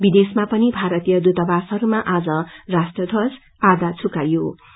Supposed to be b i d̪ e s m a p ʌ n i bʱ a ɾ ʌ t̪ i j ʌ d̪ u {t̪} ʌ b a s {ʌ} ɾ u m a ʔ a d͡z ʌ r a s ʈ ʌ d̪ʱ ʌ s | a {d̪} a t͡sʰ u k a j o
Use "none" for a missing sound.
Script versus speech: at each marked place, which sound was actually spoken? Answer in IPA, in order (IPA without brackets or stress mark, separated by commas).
t̪, ʌ, d̪